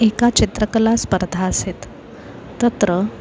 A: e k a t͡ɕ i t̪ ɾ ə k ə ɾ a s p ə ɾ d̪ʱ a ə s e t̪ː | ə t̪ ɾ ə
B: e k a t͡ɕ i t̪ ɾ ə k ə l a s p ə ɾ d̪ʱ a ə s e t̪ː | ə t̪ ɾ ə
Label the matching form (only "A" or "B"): B